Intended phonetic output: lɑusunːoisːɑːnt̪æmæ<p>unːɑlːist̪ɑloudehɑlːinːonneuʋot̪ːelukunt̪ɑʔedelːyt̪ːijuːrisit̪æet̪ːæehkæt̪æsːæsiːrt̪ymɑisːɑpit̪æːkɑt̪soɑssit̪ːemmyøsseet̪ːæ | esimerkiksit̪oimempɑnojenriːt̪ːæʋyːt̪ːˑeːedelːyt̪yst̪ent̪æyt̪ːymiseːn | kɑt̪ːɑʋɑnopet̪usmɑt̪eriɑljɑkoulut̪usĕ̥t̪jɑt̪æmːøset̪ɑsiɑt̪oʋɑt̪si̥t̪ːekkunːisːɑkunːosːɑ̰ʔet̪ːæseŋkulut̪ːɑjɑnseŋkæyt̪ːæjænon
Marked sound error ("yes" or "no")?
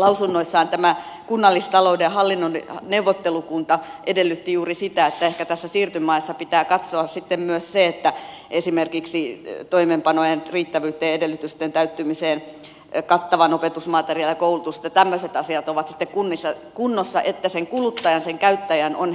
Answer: yes